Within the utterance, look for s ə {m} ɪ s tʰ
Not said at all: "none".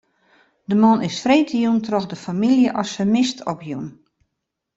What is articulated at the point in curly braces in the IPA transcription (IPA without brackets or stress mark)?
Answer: m